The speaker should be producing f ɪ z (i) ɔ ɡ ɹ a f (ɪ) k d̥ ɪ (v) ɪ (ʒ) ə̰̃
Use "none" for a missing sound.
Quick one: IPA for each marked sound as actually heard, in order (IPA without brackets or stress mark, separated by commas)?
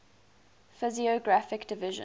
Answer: i, ɪ, v, ʒ